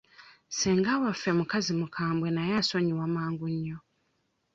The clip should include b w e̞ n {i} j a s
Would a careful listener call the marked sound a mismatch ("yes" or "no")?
yes